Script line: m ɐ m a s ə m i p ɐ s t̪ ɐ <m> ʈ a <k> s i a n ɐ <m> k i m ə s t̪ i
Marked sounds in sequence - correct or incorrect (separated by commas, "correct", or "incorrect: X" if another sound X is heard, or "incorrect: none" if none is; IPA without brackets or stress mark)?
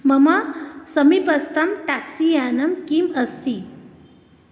correct, correct, correct